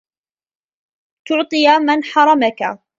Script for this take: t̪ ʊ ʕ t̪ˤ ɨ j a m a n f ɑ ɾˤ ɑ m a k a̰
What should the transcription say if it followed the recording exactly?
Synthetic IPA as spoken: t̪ ʊ ʕ t̪ˤ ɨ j a m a n ħ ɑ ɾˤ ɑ m a k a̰